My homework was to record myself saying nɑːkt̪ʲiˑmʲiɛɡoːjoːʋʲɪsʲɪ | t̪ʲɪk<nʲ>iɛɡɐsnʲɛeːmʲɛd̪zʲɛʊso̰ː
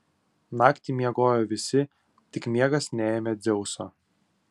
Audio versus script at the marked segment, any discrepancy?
yes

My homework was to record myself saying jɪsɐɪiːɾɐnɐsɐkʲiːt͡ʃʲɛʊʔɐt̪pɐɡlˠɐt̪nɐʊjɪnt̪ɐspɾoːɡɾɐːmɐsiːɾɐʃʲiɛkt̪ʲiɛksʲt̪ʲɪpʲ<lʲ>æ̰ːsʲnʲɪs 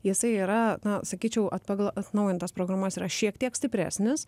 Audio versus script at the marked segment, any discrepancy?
yes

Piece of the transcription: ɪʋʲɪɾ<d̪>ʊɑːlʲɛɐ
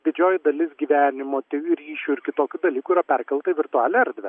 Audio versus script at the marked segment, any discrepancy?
yes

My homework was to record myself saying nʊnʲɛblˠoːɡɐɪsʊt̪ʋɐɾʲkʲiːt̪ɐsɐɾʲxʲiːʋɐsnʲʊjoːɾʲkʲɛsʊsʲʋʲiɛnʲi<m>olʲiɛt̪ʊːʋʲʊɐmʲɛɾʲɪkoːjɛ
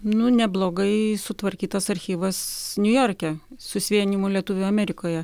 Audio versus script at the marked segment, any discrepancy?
no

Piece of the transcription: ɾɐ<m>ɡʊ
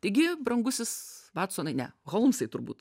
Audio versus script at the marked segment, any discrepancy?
yes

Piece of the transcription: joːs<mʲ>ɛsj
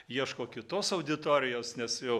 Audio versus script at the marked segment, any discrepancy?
yes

